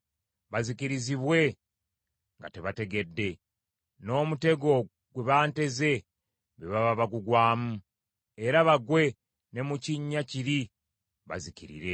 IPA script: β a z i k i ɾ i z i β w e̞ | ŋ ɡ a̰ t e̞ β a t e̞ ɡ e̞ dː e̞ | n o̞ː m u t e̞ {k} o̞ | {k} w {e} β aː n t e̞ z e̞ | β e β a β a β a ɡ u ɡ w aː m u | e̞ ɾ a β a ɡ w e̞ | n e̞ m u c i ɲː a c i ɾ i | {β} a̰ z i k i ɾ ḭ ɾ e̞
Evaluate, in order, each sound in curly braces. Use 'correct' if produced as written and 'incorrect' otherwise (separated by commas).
incorrect, incorrect, correct, correct